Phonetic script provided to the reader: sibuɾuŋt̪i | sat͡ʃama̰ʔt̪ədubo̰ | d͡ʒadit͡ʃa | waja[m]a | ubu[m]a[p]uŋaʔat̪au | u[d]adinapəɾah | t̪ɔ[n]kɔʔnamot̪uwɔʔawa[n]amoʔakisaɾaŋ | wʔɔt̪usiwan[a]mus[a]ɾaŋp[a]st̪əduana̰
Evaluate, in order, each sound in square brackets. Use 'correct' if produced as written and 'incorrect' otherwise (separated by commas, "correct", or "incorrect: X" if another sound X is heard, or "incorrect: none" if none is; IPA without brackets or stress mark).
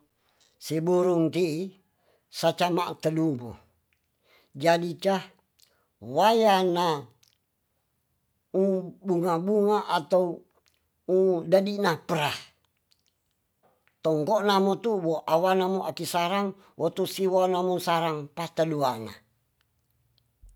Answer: incorrect: n, incorrect: ŋ, incorrect: b, correct, incorrect: ŋ, correct, correct, correct, correct